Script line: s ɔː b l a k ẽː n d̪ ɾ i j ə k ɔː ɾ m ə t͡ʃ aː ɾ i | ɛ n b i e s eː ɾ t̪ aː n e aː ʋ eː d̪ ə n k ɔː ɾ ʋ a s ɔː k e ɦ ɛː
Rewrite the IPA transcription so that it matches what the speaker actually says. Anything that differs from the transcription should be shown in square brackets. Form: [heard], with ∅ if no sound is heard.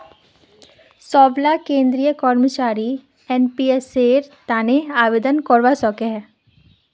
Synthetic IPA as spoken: s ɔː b l a k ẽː n d̪ ɾ i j ə k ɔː ɾ m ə t͡ʃ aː ɾ i | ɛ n [p] i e s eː ɾ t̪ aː n e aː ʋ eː d̪ ə n k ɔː ɾ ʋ a s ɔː k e ɦ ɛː